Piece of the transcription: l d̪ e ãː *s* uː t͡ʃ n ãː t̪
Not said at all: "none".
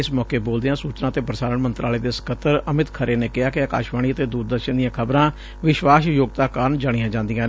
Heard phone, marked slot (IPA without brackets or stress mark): s